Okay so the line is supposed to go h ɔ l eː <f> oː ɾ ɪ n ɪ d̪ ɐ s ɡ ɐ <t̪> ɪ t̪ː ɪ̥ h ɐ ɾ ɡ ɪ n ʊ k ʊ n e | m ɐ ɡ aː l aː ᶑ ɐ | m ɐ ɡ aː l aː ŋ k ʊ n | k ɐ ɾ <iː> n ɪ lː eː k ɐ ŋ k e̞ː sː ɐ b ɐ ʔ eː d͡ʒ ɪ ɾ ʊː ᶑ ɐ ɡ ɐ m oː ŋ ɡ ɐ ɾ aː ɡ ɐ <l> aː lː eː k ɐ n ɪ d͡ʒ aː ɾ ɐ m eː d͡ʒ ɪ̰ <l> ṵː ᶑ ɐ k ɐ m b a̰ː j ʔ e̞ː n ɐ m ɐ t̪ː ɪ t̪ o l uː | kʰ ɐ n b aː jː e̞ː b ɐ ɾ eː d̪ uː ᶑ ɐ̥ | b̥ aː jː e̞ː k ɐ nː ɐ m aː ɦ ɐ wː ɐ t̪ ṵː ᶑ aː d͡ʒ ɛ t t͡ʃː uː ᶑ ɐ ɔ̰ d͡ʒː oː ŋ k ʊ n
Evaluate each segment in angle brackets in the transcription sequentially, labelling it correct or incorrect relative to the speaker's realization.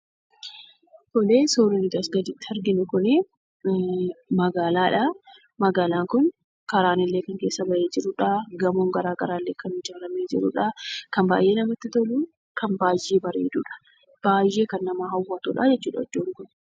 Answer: incorrect: s, incorrect: d̪, incorrect: aː, incorrect: ɾ, incorrect: ɾ

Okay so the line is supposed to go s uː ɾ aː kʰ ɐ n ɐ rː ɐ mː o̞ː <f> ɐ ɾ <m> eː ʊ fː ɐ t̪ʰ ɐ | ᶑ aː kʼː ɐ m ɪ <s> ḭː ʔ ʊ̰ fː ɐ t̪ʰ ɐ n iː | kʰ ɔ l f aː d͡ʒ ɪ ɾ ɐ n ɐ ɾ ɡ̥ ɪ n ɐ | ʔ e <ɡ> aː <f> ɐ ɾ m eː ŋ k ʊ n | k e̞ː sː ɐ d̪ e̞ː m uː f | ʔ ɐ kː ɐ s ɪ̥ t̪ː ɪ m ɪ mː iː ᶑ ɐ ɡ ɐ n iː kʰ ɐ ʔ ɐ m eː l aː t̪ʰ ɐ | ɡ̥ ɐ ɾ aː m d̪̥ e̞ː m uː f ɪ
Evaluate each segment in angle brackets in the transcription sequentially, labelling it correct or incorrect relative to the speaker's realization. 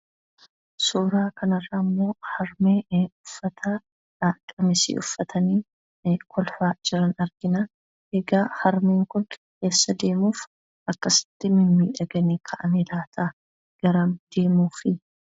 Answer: incorrect: h, correct, correct, correct, incorrect: h

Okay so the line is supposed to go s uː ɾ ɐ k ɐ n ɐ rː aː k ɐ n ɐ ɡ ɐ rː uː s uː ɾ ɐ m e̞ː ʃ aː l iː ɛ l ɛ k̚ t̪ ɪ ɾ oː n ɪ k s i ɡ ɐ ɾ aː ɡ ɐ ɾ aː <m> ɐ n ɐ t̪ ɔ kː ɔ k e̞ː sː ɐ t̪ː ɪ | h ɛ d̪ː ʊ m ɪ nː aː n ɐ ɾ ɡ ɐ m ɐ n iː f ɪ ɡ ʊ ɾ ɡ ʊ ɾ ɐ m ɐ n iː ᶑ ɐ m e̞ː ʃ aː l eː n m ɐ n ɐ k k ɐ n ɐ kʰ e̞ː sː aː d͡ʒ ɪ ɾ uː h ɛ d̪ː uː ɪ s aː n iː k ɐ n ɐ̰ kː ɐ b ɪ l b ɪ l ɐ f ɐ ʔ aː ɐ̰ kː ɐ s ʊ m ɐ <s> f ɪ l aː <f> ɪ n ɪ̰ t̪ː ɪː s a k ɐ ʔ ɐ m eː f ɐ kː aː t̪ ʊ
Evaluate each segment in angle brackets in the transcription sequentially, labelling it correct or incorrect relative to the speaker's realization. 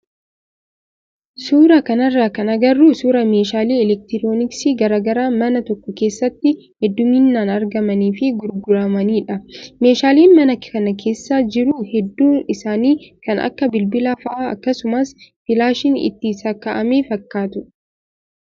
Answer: correct, correct, incorrect: ʃ

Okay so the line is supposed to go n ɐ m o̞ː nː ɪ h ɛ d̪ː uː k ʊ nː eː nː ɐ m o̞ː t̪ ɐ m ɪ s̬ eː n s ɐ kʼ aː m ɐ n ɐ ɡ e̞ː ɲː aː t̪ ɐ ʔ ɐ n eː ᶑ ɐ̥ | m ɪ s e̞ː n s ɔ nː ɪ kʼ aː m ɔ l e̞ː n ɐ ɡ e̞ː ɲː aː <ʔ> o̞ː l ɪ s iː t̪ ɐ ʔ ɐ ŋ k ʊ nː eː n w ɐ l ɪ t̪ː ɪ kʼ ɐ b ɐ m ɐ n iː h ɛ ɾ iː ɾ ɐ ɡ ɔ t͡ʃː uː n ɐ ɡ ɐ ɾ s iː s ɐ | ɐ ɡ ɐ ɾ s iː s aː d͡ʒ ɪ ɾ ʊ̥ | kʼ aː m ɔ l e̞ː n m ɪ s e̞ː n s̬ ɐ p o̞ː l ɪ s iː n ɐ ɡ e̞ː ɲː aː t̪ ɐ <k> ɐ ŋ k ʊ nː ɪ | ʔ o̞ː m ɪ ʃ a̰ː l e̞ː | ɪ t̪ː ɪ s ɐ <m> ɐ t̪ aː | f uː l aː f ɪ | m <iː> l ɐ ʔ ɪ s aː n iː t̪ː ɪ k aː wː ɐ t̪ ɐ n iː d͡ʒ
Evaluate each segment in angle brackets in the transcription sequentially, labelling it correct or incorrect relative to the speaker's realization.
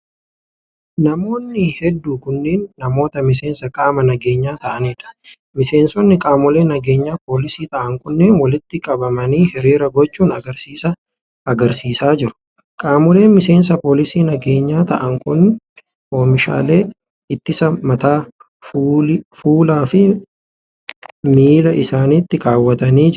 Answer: incorrect: p, incorrect: ʔ, correct, correct

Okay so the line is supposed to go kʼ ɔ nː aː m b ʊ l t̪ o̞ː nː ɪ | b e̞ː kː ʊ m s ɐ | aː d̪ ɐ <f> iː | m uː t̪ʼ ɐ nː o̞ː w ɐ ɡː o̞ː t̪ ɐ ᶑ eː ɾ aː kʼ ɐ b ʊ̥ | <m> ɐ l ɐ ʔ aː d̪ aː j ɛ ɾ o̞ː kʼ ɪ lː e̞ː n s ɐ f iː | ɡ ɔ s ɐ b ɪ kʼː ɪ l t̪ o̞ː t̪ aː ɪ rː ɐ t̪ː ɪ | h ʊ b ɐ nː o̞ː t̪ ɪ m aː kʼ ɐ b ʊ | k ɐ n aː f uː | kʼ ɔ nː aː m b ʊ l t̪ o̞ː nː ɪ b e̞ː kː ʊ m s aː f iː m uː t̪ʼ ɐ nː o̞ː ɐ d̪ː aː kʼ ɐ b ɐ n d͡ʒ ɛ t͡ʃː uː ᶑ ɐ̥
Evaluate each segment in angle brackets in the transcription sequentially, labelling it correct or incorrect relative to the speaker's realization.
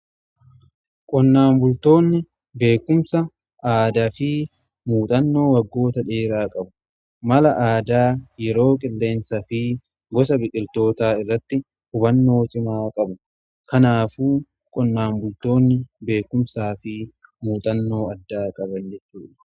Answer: correct, correct

